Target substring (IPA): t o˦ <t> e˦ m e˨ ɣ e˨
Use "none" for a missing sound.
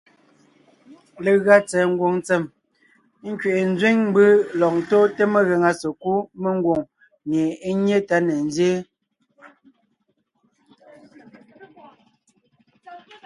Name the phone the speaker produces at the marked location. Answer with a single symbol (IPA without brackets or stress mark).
t